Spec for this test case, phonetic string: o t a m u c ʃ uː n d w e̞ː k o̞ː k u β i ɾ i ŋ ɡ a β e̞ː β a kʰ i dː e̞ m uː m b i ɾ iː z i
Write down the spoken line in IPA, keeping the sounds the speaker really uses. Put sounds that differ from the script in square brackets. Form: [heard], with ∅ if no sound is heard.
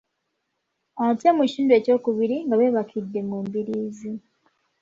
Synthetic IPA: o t [e] m u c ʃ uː n d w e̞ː [c] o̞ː k u β i ɾ i ŋ ɡ a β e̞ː β a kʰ i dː e̞ m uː m b i ɾ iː z i